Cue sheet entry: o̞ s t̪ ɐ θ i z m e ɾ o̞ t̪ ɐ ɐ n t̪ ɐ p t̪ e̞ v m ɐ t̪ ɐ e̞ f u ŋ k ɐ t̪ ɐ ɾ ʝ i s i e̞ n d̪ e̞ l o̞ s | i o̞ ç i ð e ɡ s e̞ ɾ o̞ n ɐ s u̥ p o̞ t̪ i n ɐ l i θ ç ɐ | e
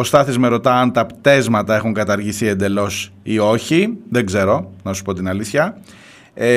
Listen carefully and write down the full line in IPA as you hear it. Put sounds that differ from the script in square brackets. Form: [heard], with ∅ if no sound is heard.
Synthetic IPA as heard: o̞ s t̪ ɐ θ i z m e ɾ o̞ t̪ ɐ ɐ n t̪ ɐ p t̪ e̞ [z] m ɐ t̪ ɐ e̞ [x] u ŋ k ɐ t̪ ɐ ɾ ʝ i s i e̞ n d̪ e̞ l o̞ s | i o̞ ç i ð e ɡ [z] e̞ ɾ o̞ n ɐ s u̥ p o̞ t̪ i n ɐ l i θ ç ɐ | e